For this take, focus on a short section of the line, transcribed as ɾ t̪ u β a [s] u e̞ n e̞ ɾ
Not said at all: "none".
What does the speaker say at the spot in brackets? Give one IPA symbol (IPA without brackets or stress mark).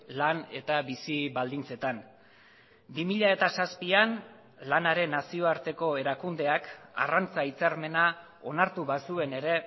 s